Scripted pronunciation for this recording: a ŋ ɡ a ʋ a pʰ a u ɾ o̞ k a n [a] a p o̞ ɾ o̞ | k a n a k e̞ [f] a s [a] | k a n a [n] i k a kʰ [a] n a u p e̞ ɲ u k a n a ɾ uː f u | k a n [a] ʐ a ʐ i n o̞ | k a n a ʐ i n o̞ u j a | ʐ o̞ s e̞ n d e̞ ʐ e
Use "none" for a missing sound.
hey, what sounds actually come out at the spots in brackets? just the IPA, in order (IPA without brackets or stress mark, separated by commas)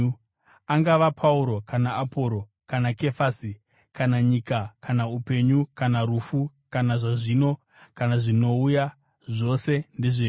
a, f, i, ɲ, a, a